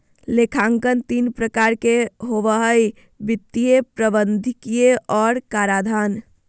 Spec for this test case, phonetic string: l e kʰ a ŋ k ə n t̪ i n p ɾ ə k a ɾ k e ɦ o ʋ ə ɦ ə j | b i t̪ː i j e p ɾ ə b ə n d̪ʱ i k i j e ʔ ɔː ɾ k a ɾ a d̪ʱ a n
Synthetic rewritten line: l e kʰ a ŋ k ə n t̪ i n p ɾ ə k a ɾ k e ɦ o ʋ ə ɦ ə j | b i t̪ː i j e p ɾ ə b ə n d̪ʱ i k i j e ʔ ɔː ɾ k a ɾ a d̪ʱ a n